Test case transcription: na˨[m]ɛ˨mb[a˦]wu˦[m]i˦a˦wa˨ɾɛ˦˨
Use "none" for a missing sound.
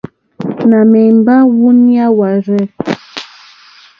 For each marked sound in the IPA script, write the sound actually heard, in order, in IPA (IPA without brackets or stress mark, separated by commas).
m, a˦, n